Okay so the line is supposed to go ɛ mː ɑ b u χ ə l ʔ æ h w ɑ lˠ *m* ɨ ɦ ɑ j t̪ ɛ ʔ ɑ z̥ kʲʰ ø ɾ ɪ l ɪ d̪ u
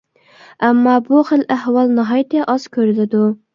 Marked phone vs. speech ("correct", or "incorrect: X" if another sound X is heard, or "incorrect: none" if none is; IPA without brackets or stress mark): incorrect: n